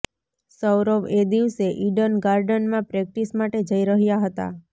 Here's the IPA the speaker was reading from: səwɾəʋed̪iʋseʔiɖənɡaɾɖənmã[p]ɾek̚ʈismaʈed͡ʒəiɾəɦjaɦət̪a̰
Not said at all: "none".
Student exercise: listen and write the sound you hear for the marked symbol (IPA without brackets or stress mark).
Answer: p